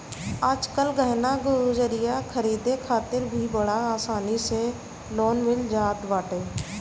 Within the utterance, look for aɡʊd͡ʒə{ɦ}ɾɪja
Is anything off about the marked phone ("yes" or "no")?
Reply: yes